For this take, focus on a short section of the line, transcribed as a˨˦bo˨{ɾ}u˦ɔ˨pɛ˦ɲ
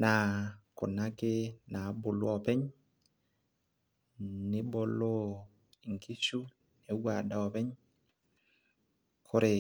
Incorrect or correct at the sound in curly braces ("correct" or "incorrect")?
incorrect